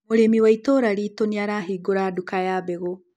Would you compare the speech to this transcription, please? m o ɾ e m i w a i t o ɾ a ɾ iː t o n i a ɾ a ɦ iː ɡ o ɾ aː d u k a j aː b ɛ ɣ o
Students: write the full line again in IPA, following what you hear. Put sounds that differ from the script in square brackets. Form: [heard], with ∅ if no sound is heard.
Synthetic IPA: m o ɾ e m i w a i t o ɾ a ɾ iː t o n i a ɾ a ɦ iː ɡ o ɾ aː d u k a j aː b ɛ ɣ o